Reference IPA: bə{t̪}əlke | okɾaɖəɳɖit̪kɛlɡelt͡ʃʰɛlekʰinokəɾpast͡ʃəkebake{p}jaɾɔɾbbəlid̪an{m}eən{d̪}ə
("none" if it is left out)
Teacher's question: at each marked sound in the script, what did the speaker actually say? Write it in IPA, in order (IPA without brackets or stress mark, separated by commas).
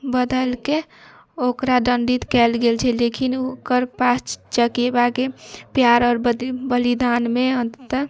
d̪, p, m, t̪